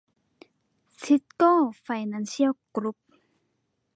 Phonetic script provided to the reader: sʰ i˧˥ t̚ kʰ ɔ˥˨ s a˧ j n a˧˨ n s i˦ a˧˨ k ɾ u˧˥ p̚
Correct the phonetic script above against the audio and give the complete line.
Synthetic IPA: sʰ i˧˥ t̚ k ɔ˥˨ f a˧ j n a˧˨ n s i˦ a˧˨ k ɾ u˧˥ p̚